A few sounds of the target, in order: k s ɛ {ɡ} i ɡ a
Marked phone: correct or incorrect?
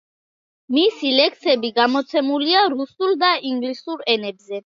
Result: incorrect